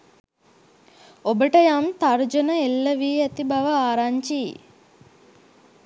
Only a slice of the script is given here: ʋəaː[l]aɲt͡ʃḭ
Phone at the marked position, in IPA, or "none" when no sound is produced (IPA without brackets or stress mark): ɾ